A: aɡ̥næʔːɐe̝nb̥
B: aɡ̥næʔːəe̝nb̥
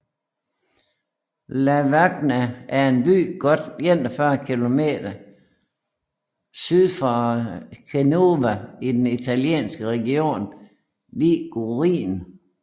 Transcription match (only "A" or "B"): A